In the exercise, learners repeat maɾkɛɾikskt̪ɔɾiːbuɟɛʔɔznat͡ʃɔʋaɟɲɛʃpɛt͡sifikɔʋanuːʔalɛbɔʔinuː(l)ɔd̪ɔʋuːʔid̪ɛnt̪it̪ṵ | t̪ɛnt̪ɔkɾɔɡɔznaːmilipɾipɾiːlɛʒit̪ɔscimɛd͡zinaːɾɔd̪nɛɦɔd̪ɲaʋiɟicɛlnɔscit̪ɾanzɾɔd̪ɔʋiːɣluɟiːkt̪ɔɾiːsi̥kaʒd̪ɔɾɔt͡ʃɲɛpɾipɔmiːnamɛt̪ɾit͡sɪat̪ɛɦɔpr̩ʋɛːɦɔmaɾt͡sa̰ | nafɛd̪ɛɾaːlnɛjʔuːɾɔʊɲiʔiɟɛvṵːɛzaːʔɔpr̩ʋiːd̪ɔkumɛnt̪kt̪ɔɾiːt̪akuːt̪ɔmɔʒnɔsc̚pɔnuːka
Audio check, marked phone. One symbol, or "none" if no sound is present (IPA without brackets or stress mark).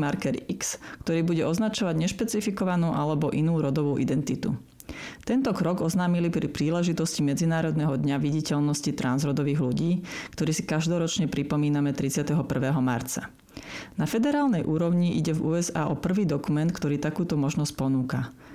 ɾ